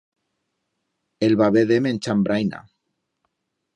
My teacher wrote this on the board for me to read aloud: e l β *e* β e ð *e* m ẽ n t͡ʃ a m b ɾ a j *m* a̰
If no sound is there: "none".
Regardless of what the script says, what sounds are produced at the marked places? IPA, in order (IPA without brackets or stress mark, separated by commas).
a, e, n